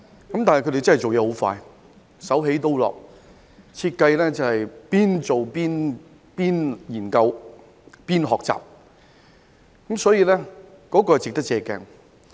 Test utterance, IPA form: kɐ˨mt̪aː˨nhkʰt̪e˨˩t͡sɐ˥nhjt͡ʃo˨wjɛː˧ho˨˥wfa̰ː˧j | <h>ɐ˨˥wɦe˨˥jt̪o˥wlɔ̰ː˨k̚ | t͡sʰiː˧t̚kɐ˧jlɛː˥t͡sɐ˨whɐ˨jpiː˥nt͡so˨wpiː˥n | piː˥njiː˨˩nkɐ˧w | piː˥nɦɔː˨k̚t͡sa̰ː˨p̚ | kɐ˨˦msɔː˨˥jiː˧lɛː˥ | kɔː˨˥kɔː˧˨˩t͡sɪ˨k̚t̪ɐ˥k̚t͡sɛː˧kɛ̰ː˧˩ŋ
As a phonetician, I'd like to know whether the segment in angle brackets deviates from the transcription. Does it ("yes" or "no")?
yes